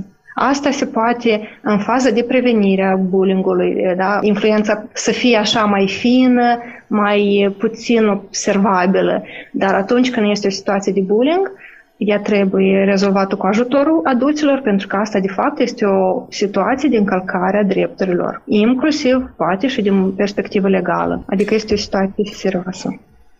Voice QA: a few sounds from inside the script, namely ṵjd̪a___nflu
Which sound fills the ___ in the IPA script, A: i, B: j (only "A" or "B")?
A